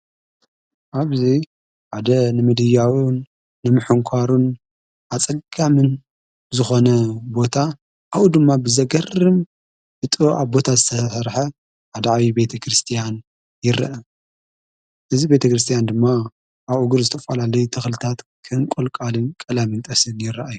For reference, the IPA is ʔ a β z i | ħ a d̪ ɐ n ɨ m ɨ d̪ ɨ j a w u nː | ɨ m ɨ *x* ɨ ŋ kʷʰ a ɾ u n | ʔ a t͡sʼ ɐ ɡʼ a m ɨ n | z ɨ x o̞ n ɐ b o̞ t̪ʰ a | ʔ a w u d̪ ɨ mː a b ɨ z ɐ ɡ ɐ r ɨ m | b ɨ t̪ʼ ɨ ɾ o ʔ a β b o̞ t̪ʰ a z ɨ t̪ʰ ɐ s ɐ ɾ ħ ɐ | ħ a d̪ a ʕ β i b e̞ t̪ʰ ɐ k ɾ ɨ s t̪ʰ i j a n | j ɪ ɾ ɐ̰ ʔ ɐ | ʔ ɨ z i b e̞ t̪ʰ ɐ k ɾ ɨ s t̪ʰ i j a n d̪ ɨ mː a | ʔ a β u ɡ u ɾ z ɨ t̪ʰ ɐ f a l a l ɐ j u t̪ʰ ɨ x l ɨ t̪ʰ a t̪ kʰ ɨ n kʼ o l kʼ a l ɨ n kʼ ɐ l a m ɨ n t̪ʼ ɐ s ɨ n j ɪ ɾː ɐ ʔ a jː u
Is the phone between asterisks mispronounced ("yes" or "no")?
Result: yes